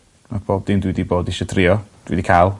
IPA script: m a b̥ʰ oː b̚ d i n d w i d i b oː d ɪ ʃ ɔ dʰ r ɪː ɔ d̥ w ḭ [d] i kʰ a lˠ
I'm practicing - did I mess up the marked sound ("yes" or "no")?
no